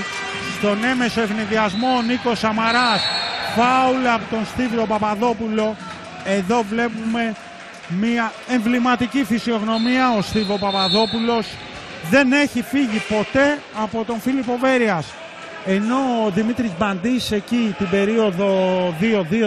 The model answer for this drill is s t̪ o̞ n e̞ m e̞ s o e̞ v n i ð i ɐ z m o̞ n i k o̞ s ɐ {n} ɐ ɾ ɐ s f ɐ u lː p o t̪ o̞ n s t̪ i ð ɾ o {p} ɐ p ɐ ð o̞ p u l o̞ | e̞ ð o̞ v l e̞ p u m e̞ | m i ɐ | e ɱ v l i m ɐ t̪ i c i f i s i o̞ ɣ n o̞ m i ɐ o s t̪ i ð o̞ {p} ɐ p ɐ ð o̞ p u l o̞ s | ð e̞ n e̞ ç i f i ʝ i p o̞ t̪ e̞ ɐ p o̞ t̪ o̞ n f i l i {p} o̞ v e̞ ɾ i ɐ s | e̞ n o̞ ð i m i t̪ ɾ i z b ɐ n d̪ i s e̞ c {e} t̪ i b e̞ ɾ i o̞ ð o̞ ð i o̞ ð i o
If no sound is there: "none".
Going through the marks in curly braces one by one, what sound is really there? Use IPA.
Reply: m, p, p, p, i

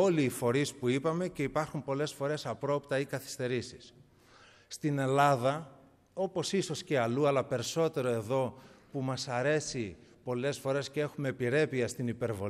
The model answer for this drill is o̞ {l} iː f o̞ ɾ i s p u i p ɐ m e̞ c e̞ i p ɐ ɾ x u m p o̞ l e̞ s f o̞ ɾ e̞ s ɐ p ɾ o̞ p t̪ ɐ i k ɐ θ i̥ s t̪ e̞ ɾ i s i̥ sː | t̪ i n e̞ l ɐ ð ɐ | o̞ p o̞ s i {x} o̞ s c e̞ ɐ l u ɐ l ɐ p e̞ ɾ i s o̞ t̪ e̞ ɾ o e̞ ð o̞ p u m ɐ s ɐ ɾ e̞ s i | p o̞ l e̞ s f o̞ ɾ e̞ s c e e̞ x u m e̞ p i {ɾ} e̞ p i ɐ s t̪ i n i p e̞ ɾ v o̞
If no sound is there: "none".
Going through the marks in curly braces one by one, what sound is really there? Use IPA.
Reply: l, s, ɾ

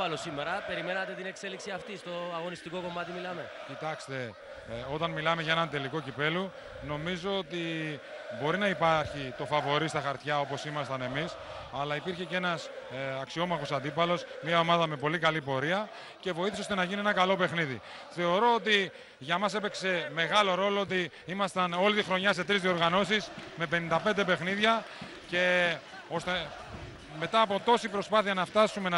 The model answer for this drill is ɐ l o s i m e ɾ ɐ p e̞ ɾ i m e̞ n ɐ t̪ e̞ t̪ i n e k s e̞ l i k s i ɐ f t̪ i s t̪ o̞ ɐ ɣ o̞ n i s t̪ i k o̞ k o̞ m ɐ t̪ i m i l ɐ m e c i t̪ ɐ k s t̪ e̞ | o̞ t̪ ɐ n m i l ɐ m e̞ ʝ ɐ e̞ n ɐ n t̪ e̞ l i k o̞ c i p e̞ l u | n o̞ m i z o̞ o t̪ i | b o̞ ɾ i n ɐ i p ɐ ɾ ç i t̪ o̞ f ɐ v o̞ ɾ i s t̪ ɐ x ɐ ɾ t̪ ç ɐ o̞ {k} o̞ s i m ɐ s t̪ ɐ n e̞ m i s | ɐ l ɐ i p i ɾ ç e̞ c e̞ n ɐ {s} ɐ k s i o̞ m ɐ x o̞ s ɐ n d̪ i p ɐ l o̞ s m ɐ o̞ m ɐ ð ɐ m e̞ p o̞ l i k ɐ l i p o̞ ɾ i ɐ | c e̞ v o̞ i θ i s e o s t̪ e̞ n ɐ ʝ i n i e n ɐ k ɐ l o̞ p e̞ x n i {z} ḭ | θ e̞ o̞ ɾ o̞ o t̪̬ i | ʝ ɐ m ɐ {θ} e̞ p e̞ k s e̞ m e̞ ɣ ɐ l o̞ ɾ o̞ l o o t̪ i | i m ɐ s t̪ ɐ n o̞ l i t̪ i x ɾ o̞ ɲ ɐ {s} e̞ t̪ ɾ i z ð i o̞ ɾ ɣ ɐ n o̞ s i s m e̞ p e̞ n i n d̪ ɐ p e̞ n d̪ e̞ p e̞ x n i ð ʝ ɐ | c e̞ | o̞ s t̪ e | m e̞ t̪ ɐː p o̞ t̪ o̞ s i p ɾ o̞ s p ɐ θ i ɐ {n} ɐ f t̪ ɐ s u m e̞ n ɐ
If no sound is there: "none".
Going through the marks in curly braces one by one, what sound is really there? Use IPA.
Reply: p, s, ð, s, s, n

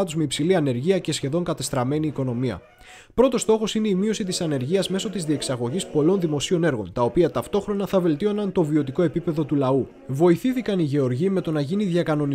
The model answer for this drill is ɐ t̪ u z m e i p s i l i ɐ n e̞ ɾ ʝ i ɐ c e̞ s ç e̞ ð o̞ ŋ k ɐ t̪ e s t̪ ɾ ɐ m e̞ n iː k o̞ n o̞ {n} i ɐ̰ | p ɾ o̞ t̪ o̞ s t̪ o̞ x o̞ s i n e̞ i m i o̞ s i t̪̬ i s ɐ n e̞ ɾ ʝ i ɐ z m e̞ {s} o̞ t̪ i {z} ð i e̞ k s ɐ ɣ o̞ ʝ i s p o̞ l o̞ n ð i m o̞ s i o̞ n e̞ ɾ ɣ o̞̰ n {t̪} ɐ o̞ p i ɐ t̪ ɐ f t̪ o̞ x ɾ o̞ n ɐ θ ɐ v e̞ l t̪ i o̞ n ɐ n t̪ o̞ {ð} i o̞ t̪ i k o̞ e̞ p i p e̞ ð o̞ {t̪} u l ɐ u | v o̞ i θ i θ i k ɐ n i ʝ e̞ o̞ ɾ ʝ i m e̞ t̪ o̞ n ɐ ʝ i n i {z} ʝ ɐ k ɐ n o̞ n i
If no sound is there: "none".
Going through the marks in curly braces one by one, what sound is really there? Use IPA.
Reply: m, s, z, t̪, v, t̪, ð

